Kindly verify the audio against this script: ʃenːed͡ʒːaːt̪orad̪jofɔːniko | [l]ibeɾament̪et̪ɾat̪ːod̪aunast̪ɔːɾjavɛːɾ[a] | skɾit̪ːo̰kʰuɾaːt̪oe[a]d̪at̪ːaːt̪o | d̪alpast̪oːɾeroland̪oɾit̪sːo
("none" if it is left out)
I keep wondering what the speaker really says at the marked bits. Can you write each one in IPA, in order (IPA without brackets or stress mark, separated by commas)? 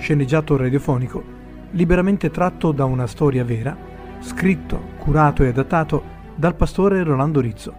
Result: l, a, a